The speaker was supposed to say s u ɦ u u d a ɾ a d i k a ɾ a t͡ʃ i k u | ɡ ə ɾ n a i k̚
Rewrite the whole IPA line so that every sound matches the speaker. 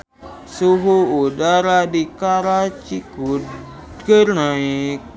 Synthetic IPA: s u ɦ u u d a ɾ a d i k a ɾ a t͡ʃ i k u | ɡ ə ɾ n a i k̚